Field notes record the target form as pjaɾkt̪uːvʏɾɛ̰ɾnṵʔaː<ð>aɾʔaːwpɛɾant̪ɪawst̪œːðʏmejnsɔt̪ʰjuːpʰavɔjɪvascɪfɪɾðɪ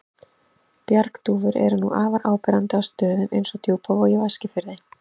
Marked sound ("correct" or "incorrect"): incorrect